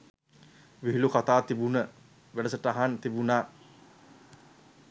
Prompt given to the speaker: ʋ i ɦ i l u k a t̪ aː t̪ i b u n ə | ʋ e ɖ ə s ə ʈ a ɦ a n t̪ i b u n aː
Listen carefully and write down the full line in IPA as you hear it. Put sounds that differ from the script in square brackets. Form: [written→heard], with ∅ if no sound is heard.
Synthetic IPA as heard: ʋ i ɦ i l u k a t̪ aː t̪ i b u n ə | ʋ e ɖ ə s ə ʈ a ɦ a n t̪ i b u n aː